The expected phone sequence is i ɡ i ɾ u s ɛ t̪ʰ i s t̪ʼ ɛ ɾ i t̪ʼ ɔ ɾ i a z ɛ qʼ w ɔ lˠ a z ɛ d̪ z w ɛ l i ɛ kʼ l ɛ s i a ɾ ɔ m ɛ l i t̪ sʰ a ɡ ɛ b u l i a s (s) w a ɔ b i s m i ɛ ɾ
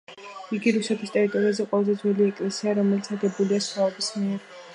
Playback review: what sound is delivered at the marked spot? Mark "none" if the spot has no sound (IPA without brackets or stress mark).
χ